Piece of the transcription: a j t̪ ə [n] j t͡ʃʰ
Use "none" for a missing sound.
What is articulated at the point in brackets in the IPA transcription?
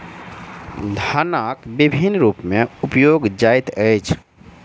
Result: none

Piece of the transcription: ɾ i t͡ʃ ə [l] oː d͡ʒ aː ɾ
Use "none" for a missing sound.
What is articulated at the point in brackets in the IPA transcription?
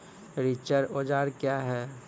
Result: ɾ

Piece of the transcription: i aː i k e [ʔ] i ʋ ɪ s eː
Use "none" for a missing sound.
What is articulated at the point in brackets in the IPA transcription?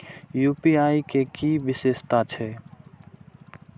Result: k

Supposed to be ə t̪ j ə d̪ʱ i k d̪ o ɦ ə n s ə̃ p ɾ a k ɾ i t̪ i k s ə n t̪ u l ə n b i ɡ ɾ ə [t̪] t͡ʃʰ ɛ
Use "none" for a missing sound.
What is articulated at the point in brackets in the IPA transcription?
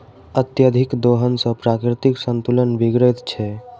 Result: t̪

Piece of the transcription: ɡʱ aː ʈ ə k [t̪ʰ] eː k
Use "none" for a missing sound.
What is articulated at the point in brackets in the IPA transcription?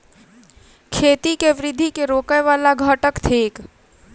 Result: t̪ʰ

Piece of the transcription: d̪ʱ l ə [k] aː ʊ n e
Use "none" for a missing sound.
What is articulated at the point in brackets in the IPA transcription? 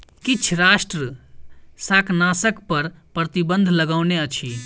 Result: ɡ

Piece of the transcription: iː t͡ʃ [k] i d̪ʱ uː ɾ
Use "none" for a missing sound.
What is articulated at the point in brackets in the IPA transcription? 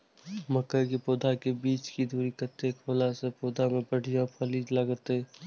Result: k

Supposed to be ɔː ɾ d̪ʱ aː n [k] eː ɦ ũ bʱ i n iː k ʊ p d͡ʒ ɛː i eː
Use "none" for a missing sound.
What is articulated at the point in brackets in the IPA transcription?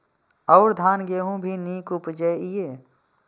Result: ɡ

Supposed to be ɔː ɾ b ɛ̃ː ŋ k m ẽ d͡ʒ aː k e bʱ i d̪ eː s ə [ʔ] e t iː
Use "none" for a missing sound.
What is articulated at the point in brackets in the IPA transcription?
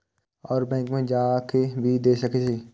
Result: k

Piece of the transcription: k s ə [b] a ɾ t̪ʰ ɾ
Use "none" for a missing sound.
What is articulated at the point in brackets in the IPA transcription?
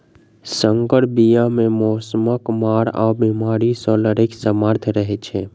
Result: m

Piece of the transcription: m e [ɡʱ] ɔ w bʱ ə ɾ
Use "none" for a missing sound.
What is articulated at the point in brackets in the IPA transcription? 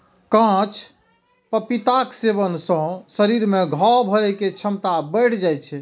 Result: ɡʱ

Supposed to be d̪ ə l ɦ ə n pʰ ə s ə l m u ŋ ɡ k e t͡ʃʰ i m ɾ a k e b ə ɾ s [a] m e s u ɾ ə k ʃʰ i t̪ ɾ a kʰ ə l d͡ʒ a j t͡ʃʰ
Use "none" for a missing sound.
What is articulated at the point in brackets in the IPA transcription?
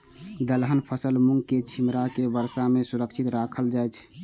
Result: a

